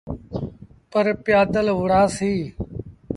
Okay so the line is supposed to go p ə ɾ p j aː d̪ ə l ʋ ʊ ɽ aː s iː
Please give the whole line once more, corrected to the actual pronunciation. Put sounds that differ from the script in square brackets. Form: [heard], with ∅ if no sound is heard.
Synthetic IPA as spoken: p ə ɾ p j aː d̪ ə l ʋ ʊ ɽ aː s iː